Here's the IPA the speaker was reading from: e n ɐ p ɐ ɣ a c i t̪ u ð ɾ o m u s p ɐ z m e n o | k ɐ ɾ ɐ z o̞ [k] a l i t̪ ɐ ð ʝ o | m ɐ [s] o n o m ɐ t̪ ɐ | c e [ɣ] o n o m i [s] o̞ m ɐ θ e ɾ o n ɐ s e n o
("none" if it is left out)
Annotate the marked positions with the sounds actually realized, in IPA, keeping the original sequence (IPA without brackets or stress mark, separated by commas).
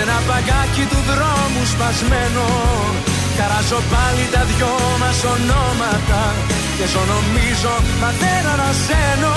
p, s, z, z